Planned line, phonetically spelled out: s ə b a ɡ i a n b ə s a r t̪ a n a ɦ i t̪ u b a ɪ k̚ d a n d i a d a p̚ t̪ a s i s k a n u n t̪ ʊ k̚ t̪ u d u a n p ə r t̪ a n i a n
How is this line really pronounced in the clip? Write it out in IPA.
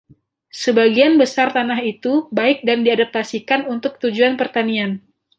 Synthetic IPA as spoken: s ə b a ɡ i a n b ə s a r t̪ a n a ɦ i t̪ u b a ɪ k̚ d a n d i a d a p̚ t̪ a s i k a n u n t̪ ʊ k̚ t̪ u d͡ʒ u a n p ə r t̪ a n i a n